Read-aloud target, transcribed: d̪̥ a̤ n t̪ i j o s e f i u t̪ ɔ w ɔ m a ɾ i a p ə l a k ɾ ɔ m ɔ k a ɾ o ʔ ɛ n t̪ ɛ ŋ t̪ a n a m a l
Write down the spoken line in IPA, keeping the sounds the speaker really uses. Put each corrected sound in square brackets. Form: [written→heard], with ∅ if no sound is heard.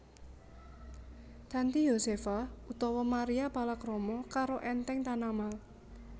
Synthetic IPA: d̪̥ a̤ n t̪ i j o s e f [i→a] u t̪ ɔ w ɔ m a ɾ i a p [ə→a] l a k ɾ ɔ m ɔ k a ɾ o ʔ ɛ n t̪ ɛ ŋ t̪ a n a m a l